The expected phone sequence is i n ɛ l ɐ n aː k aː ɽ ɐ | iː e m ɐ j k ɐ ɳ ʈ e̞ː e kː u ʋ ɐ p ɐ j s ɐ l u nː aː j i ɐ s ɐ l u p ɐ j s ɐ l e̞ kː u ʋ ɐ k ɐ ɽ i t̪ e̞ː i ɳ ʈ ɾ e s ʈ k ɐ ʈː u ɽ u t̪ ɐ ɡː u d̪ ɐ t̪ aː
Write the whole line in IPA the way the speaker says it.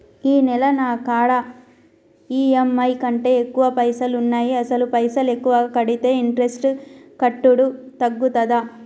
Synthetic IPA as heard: iː n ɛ l ɐ n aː k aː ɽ ɐ | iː e m ɐ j k ɐ ɳ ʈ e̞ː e kː u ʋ ɐ p ɐ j s ɐ l u nː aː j i ɐ s ɐ l u p ɐ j s ɐ l e̞ kː u ʋ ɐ k ɐ ɽ i t̪ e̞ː i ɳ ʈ ɾ e s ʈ k ɐ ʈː u ɽ u t̪ ɐ ɡː u t̪ ɐ d̪ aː